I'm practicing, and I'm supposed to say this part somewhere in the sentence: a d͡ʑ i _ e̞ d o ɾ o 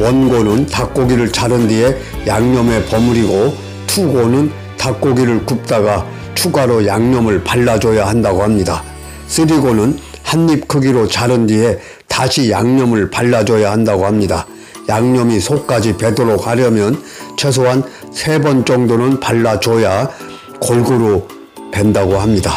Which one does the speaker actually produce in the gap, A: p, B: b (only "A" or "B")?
A